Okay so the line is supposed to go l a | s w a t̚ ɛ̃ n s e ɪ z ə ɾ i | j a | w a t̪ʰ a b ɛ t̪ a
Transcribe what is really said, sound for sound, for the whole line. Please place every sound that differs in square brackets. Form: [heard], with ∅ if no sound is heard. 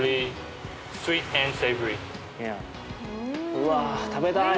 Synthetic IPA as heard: l [i] | s w [i] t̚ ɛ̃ n s e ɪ [v] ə [ɹ] i | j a | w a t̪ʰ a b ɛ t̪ a

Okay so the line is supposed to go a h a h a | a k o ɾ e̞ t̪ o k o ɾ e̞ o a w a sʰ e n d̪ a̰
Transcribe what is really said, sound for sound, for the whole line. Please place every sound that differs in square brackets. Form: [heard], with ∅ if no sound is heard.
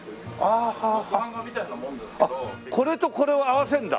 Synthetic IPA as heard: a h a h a | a k o ɾ e̞ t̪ o k o ɾ e̞ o a w a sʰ e n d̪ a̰

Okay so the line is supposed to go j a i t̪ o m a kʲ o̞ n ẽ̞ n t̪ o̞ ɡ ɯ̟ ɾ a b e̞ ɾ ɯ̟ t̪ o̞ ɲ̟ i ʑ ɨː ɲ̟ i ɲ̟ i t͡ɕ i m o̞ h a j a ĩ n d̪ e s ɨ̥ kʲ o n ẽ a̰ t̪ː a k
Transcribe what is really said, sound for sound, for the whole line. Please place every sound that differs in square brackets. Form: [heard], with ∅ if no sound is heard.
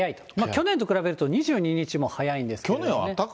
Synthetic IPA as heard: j a i t̪ o m a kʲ o̞ n ẽ̞ n t̪ o̞ [k] ɯ̟ ɾ a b e̞ ɾ ɯ̟ t̪ o̞ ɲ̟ i ʑ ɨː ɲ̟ i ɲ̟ i t͡ɕ i m o̞ h a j a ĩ n d̪ e s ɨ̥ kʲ o n ẽ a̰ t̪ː a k

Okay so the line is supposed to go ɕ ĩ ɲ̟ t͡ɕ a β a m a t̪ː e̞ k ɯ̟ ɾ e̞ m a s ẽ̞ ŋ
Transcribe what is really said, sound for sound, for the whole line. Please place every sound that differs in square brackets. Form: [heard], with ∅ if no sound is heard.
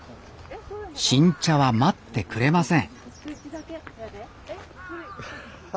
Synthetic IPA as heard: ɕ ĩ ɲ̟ t͡ɕ a β a m a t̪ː e̞ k ɯ̟ ɾ e̞ m a s ẽ̞ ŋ

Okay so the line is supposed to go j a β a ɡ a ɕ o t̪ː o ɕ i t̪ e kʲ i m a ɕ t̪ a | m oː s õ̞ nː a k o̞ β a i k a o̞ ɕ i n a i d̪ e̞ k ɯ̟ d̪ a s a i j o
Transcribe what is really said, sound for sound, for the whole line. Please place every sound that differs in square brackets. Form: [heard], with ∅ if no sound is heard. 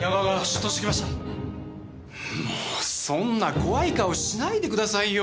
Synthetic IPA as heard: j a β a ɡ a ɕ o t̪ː o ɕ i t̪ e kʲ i m a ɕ t̪ a | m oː s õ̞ nː a k o̞ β a i k a o̞ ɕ i n a i d̪ e̞ k ɯ̟ d̪ a s a i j o

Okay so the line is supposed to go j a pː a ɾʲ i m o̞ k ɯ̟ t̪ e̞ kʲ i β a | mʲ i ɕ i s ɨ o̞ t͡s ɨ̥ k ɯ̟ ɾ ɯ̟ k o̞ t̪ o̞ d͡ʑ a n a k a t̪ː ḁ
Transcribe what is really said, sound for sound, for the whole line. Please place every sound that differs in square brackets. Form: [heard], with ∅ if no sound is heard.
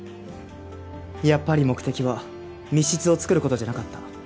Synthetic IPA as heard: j a pː a ɾʲ i m o̞ k ɯ̟ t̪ e̞ kʲ i β a | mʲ i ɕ i [t͡s] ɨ o̞ t͡s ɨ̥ k ɯ̟ ɾ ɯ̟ k o̞ t̪ o̞ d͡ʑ a n a k a t̪ː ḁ

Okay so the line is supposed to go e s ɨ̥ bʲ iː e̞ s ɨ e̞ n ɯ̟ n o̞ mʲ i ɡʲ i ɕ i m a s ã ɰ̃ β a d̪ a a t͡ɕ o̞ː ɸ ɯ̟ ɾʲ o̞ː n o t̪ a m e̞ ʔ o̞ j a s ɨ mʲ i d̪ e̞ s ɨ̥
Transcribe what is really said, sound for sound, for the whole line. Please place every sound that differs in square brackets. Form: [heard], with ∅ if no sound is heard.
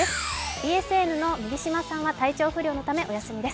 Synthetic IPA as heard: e s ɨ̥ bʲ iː e̞ s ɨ e̞ n ɯ̟ n o̞ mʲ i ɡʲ i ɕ i m a s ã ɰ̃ β a [t̪] a [i] t͡ɕ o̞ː ɸ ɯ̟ ɾʲ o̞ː n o t̪ a m e̞ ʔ o̞ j a s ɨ mʲ i d̪ e̞ s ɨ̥

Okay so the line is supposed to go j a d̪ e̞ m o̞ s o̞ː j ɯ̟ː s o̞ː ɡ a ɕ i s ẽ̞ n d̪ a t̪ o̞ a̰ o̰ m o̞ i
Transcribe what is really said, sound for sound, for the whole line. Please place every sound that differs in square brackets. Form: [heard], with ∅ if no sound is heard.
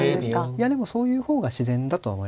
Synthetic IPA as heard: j a d̪ e̞ m o̞ s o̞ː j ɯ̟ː [h] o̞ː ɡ a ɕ i [z] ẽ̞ n d̪ a t̪ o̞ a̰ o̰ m o̞ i

